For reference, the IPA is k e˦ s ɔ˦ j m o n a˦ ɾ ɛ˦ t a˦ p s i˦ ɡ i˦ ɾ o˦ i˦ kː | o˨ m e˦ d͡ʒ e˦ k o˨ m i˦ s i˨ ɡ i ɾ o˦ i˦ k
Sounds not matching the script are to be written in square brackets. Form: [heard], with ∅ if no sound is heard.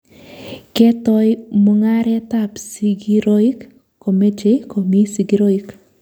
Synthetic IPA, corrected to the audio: k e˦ [t] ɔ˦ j m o [ŋ] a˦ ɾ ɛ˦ t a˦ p s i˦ ɡ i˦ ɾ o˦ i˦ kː | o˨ m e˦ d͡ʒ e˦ k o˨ m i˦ s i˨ ɡ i ɾ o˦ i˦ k